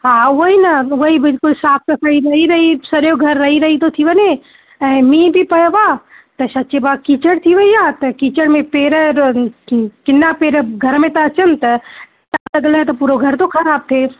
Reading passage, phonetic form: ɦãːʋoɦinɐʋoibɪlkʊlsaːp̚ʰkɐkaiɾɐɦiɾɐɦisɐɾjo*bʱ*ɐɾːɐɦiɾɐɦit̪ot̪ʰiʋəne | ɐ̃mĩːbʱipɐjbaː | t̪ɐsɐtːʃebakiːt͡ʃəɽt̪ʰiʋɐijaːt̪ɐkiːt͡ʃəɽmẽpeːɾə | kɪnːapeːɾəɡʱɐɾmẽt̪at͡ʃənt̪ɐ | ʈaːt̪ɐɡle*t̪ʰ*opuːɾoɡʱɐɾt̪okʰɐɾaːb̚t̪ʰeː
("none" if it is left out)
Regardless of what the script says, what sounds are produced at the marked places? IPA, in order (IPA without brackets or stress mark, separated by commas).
ɡʱ, t̪